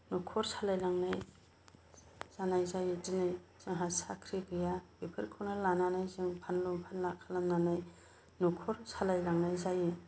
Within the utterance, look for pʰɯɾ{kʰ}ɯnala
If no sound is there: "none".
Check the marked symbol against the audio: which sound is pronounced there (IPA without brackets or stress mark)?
kʰ